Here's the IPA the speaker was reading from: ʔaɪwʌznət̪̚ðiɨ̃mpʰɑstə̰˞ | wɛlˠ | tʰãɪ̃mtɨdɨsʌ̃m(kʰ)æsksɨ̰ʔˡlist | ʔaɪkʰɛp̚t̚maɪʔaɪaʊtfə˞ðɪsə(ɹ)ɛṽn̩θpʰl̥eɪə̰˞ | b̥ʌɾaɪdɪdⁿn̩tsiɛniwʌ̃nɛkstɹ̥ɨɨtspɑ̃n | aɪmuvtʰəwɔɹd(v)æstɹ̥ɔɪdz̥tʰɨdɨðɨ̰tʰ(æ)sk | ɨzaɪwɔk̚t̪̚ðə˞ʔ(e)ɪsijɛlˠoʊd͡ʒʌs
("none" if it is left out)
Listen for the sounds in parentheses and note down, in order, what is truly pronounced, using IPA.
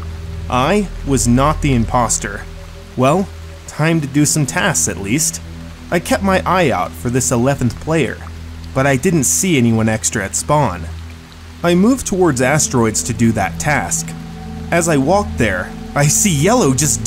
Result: tʰ, l, z, æ, a

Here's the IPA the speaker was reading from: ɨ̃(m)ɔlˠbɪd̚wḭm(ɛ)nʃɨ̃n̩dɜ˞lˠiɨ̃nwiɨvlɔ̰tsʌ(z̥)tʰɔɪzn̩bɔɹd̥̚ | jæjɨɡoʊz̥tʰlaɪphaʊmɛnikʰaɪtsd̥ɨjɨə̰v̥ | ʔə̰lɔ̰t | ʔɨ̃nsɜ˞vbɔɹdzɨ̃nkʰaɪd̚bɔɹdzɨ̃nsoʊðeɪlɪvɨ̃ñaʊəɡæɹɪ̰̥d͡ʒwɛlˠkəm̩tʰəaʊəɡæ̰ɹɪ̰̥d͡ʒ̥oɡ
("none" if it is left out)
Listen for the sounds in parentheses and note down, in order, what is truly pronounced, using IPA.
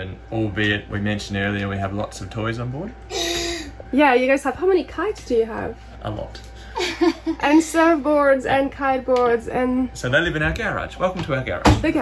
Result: n, ɛ̃, v̥

